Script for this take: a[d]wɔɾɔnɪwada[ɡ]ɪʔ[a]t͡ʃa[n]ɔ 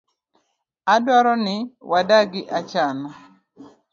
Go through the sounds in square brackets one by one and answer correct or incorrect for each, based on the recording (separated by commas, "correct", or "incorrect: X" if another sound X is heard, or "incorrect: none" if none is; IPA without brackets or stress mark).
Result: correct, correct, correct, correct